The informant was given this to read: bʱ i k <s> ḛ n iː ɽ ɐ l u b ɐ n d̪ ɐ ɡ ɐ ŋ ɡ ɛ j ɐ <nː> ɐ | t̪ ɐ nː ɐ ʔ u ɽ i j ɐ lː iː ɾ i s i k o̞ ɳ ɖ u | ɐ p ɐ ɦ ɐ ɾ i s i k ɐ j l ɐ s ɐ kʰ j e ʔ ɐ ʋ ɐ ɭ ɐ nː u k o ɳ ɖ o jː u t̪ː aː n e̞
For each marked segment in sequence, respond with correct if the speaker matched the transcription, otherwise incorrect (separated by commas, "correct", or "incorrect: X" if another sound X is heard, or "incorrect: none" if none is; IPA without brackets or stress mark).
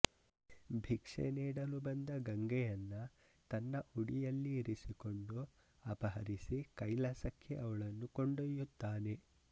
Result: incorrect: ʂ, correct